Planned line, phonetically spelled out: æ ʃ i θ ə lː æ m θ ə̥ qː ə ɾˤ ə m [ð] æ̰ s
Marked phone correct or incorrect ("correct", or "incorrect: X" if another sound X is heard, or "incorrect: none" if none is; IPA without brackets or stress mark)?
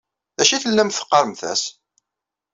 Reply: incorrect: θ